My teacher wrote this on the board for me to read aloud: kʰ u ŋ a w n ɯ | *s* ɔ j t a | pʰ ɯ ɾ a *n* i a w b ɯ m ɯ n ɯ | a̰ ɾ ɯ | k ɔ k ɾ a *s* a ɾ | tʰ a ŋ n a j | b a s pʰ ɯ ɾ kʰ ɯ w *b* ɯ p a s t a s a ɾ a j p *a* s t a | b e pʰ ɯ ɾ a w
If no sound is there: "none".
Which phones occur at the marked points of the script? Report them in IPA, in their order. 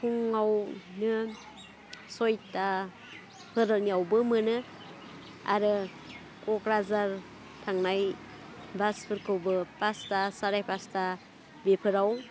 s, n, z, b, a

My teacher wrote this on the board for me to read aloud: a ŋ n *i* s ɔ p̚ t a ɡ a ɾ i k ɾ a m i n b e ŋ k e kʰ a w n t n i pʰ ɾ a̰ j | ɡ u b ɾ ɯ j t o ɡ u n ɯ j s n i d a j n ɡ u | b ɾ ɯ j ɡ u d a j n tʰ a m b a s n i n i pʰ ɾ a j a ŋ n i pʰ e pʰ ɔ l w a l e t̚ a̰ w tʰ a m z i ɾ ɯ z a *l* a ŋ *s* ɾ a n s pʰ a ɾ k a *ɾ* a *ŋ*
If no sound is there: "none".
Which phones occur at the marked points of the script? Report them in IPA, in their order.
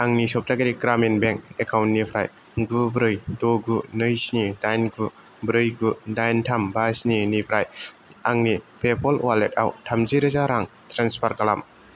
i, ɾ, t, l, m

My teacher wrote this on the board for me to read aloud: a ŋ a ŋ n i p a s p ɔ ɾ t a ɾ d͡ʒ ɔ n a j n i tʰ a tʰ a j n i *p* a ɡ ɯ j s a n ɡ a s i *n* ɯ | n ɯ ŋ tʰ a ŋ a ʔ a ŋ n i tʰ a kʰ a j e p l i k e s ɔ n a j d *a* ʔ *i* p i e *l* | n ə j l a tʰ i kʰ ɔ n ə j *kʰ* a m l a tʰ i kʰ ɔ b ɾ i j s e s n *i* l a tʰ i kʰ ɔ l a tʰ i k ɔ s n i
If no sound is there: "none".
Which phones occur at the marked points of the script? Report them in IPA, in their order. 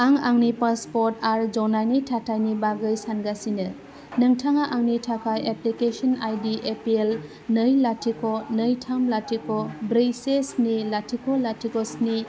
b, n, i, e, l, tʰ, i

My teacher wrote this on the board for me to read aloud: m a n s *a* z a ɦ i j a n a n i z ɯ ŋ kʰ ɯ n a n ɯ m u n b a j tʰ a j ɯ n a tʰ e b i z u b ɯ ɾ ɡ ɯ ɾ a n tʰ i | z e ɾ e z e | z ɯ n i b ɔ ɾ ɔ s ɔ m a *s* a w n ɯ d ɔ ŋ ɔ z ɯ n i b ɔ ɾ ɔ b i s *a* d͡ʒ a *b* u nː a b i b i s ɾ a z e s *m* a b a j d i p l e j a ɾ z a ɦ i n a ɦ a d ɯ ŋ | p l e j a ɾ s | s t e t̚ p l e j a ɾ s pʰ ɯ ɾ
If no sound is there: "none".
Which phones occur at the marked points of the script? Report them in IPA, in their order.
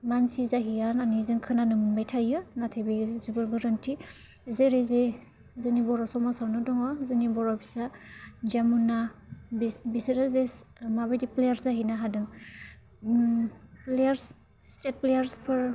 i, s, a, m, m

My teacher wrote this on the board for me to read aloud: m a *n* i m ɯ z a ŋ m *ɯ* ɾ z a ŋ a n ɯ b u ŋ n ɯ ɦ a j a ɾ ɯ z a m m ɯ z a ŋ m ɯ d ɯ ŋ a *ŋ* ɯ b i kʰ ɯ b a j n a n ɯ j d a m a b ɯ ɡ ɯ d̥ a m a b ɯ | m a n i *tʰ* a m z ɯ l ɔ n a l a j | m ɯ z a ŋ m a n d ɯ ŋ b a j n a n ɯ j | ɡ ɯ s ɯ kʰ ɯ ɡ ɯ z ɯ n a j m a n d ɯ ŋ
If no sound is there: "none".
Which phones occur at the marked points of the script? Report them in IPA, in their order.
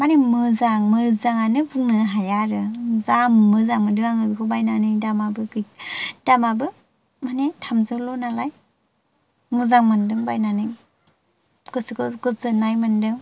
n, ɯ, ŋ, tʰ

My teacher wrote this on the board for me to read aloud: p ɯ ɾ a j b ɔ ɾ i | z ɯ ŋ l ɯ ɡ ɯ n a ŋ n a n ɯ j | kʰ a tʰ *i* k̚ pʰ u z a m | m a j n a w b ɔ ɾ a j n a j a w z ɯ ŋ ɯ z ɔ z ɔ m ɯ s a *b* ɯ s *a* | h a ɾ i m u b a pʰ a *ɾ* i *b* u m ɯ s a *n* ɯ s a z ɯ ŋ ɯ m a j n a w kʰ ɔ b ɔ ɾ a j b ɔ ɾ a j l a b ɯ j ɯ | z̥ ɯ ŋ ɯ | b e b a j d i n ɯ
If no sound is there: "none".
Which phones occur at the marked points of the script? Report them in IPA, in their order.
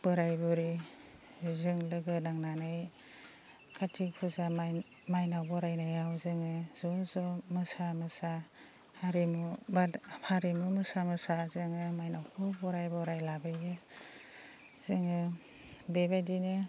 i, m, a, ɾ, m, m

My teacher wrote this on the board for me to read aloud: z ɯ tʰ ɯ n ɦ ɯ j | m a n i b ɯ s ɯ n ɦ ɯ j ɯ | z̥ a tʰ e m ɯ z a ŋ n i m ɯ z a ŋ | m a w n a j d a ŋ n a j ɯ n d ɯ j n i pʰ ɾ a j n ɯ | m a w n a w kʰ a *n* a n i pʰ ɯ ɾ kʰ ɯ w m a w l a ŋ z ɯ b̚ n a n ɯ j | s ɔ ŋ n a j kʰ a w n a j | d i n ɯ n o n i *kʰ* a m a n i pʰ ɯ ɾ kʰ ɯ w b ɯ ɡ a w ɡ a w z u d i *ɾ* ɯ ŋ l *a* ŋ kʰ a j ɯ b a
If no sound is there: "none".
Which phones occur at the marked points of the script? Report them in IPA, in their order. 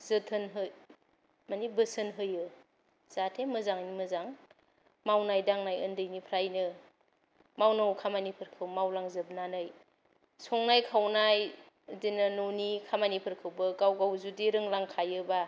m, kʰ, ɾ, a

